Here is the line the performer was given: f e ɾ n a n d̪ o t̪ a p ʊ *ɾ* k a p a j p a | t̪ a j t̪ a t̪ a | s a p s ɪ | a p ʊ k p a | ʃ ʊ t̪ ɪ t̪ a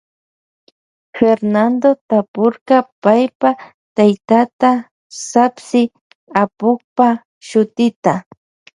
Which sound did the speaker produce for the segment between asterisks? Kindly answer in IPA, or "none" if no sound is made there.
ɾ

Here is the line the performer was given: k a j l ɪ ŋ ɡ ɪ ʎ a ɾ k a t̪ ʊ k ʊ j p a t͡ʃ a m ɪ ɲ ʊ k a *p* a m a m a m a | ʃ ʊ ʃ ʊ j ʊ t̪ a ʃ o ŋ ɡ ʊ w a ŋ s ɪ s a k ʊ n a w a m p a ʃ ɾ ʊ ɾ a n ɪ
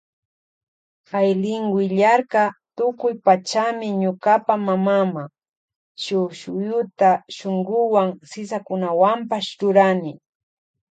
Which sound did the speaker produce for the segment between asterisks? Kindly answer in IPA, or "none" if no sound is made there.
p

